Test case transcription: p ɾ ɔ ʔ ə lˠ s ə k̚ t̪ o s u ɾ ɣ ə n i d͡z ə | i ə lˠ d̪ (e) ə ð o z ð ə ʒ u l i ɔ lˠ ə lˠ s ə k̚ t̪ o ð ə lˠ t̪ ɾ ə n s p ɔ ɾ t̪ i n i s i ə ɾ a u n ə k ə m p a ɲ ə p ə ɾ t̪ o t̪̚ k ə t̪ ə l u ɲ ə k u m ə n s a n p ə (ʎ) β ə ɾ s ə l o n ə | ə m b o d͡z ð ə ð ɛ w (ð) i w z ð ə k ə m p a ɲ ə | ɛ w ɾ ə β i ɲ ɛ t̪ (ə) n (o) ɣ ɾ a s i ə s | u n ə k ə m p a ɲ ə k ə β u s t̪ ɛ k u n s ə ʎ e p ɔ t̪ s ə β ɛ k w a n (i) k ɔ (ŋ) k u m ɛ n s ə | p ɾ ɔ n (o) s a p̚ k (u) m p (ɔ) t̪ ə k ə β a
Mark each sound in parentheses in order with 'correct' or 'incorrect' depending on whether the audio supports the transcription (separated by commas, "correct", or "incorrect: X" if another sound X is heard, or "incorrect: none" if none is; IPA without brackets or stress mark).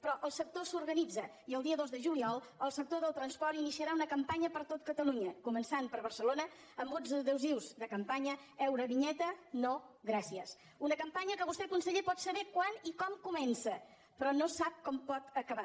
incorrect: i, incorrect: ɾ, incorrect: z, correct, correct, correct, incorrect: m, correct, incorrect: ɔ, correct